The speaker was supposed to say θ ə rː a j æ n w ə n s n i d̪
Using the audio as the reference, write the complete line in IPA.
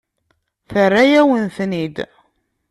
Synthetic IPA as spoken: θ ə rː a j æ w ə n θ n i d̪